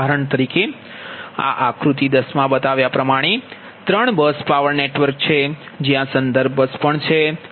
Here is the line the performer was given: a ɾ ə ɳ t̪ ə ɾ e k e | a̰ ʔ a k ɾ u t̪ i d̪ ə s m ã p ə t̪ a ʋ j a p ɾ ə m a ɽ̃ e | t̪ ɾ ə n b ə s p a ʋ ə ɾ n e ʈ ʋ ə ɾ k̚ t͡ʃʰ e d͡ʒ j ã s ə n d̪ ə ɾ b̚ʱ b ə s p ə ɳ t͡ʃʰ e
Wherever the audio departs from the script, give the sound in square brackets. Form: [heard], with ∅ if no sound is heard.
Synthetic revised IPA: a ɾ ə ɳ t̪ ə ɾ [i] k e | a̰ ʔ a k ɾ u t̪ i d̪ ə s m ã [b] ə t̪ a ʋ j a p ɾ ə m a ɽ̃ e | t̪ ɾ ə [ɳ] b ə s p a ʋ ə ɾ n e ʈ ʋ ə ɾ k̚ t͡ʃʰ e d͡ʒ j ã s ə n d̪ ə ɾ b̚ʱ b ə s p ə ɳ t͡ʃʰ e